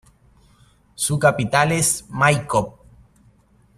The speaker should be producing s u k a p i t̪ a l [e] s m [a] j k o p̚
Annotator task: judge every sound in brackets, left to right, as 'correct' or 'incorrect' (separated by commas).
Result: correct, correct